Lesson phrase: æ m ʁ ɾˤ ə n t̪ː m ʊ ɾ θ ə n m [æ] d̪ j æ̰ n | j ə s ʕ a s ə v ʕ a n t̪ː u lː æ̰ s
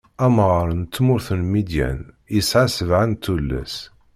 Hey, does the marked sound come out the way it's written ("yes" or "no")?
no